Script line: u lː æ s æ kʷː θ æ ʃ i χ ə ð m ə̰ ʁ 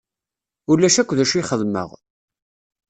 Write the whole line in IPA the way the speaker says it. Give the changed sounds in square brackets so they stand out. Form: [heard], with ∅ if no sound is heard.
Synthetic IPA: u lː æ [ʃ] æ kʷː [ð] æ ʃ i χ ə ð m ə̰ ʁ